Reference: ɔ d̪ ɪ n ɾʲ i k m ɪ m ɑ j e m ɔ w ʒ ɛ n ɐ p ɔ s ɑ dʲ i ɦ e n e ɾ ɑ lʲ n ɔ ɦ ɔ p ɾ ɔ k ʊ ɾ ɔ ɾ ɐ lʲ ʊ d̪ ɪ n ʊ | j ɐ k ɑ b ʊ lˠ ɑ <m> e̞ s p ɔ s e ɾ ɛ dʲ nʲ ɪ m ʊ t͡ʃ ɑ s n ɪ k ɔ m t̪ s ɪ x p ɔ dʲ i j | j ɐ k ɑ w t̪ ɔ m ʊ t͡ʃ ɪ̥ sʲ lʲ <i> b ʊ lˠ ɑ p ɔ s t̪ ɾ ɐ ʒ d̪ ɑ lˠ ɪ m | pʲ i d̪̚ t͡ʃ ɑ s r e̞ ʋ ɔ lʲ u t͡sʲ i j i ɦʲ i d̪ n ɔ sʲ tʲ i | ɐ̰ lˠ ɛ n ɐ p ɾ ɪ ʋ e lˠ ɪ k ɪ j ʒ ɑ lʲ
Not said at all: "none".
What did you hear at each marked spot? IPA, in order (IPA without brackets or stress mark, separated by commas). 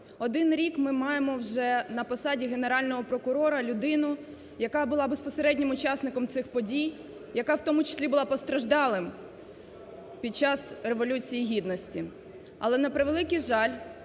b, i